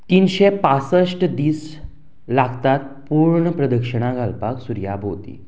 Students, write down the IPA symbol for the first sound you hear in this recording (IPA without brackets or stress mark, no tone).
t̪